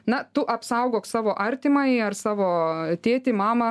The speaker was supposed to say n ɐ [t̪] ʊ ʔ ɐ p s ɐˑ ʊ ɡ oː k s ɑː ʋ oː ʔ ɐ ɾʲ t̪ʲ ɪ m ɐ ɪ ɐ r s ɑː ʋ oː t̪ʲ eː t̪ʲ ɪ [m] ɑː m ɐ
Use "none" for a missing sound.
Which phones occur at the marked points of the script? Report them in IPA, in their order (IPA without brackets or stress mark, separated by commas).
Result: t̪, m